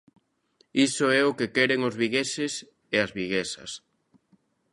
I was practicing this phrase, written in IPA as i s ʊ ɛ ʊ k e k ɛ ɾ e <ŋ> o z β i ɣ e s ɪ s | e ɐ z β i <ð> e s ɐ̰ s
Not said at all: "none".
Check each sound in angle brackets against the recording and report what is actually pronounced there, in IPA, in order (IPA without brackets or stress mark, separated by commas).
ŋ, ɣ